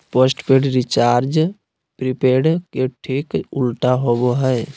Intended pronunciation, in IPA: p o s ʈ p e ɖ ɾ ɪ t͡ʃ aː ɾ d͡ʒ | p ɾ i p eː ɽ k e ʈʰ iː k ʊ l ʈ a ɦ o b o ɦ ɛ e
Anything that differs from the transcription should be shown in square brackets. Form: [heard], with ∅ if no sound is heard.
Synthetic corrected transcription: p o s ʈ p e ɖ ɾ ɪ t͡ʃ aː ɾ d͡ʒ | p ɾ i p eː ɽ k e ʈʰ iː k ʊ l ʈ a ɦ o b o ɦ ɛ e